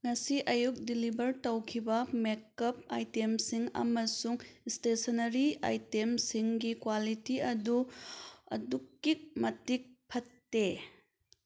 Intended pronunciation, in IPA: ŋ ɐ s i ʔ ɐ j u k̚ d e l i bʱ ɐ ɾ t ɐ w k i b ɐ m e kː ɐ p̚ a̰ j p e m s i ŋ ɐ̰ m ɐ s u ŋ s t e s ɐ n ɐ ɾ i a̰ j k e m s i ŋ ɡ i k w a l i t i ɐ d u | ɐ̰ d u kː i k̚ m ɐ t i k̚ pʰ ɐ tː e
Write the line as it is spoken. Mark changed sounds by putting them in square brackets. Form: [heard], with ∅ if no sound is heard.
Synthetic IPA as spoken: ŋ ɐ s i ʔ ɐ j u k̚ d [i] l i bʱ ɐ ɾ t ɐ w [kʰ] i b ɐ m e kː ɐ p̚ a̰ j [t] e m s i ŋ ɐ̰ m ɐ s u ŋ s t e s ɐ n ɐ ɾ i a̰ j [t] e m s i ŋ ɡ i k w a l i t i ɐ d u | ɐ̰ d u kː i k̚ m ɐ t i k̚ pʰ ɐ tː e

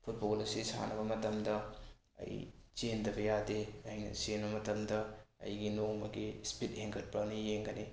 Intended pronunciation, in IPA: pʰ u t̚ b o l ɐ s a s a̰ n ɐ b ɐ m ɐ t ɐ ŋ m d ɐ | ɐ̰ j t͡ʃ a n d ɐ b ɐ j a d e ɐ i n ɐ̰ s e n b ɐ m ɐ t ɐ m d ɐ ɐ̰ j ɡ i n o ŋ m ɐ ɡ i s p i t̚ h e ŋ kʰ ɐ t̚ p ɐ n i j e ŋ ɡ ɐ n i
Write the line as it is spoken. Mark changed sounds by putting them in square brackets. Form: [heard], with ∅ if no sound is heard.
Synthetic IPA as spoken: pʰ u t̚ b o l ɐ s [i] s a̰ n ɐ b ɐ m ɐ t ɐ [∅] m d ɐ | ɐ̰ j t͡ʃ [e] n d ɐ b ɐ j a d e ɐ [j] n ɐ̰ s e n b ɐ m ɐ t ɐ m d ɐ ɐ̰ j ɡ i n o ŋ m ɐ ɡ i s p i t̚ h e ŋ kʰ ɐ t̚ p ɐ n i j e ŋ ɡ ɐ n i

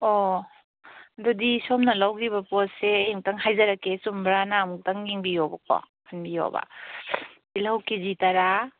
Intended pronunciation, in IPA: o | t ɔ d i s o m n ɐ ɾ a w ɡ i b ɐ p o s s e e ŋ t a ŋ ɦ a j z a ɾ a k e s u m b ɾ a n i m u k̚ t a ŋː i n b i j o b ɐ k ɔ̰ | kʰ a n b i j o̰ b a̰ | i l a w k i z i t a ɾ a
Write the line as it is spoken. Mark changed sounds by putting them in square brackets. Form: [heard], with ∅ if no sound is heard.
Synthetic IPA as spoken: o | [d] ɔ d i s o m n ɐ [l] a w ɡ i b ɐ p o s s e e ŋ t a ŋ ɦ a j z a ɾ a k e s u m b ɾ a n [a] m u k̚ t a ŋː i [ŋ] b i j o b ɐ k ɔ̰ | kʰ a n b i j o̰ b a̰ | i l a w k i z i t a ɾ a

